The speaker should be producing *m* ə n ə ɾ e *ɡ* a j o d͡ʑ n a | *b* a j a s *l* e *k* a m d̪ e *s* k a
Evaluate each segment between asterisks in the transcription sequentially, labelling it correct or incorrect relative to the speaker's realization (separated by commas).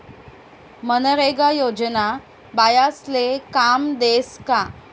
correct, correct, correct, correct, correct, correct